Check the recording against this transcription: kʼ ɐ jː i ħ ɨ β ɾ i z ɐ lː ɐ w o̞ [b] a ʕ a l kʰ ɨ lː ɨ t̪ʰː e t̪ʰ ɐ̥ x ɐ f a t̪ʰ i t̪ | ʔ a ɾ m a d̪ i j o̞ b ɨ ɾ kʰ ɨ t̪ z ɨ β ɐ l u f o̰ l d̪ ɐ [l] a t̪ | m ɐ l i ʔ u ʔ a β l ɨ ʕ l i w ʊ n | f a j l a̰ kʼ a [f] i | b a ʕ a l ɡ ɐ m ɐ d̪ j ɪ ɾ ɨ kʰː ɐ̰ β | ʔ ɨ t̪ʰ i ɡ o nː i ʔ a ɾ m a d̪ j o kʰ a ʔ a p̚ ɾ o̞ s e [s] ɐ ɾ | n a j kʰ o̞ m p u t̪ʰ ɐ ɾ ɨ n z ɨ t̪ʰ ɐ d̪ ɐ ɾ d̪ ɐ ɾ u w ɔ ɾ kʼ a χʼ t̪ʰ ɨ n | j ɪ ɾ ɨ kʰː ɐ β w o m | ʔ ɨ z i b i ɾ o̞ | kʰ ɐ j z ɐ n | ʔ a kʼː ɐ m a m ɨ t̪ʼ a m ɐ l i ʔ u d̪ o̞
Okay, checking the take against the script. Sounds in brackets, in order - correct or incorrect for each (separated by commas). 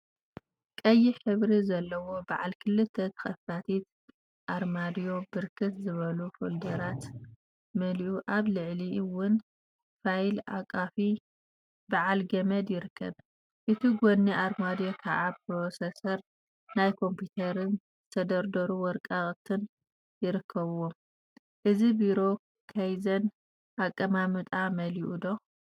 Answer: correct, incorrect, correct, correct